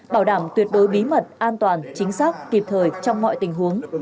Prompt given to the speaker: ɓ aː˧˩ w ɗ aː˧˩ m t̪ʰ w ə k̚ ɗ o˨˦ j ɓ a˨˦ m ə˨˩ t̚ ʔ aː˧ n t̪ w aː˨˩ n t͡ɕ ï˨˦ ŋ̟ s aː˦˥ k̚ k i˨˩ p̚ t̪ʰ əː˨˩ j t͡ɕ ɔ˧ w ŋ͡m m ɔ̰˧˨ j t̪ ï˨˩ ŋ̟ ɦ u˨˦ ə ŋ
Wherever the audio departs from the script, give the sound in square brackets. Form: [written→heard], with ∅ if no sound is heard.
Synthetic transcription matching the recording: ɓ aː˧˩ w ɗ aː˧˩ m [t̪ʰ→t̪] w ə [k̚→t̚] ɗ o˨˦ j ɓ [a˨˦→i˨˦] m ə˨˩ t̚ ʔ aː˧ n t̪ w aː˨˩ n t͡ɕ ï˨˦ ŋ̟ s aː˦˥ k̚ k i˨˩ p̚ t̪ʰ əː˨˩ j t͡ɕ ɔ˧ w ŋ͡m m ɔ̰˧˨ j t̪ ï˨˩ ŋ̟ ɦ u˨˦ ə ŋ

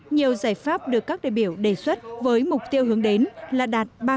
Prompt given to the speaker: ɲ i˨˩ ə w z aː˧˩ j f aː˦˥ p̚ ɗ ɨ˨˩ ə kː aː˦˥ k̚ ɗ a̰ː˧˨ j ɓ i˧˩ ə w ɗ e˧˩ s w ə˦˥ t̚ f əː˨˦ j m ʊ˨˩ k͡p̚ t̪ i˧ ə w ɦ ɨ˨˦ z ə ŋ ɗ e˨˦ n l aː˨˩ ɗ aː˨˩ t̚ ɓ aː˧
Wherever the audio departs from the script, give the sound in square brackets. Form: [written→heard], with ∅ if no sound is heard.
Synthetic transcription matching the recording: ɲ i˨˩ ə w z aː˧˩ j f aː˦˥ p̚ ɗ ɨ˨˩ ə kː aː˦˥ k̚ ɗ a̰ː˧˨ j ɓ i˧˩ ə w ɗ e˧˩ s w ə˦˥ t̚ [f→v] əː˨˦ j m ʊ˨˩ k͡p̚ t̪ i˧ ə w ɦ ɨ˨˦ [z→∅] ə ŋ ɗ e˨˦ n l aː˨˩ ɗ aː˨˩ t̚ ɓ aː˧

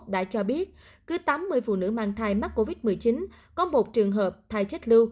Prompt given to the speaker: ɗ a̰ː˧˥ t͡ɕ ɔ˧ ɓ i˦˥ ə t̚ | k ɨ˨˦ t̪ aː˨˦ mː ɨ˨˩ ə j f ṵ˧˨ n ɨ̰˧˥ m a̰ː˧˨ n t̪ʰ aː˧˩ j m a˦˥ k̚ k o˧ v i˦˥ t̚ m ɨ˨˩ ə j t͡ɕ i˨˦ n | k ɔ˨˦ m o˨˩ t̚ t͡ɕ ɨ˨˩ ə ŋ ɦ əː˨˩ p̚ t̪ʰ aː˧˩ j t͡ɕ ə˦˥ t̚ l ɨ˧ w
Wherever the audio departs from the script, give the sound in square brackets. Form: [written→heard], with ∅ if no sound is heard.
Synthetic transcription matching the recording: ɗ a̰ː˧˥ t͡ɕ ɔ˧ ɓ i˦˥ ə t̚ | k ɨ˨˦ t̪ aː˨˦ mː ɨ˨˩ ə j f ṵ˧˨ n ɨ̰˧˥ m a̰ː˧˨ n t̪ʰ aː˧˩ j m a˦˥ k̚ k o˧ v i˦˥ t̚ m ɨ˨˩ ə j t͡ɕ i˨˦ n | k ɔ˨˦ m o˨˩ t̚ t͡ɕ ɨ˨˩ ə ŋ ɦ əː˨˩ p̚ t̪ʰ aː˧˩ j t͡ɕ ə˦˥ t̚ l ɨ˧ w

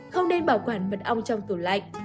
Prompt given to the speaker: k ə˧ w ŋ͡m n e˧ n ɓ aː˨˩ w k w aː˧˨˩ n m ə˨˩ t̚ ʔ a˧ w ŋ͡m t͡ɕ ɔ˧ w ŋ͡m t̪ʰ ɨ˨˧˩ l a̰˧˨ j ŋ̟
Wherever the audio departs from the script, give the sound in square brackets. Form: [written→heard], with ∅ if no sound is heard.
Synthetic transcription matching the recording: [k→x] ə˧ w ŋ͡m n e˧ n ɓ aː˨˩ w k w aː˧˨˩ n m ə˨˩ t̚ ʔ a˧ w ŋ͡m t͡ɕ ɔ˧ w ŋ͡m [t̪ʰ→t̪] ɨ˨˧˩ l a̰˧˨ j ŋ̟

